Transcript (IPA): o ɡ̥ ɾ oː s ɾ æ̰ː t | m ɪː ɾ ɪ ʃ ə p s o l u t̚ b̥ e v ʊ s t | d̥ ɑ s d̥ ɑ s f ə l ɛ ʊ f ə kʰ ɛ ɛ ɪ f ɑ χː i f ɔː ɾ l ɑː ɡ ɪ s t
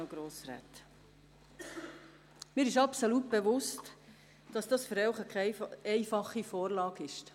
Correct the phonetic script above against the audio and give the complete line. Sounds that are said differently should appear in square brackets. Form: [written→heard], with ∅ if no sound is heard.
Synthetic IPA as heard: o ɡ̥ ɾ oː s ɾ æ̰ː t | m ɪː ɾ ɪ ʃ [ə→ɑ] p s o l u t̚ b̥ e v ʊ s t | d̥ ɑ s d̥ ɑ s f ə [l→ɾ] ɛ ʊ [f→χ] ə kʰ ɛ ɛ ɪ f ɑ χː i f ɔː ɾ l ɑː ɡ ɪ [s→ʃ] t